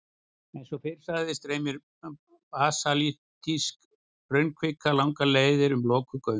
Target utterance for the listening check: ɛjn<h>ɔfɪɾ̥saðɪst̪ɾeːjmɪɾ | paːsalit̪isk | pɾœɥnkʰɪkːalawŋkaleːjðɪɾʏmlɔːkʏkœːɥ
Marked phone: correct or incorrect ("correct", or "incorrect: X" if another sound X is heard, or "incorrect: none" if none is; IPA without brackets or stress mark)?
incorrect: s